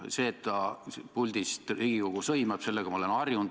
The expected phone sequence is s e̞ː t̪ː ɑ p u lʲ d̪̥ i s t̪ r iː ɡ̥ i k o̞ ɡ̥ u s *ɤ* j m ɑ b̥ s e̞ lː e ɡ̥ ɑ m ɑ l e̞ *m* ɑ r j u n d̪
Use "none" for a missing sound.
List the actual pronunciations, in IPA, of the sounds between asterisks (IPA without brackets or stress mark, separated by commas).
ɤ, n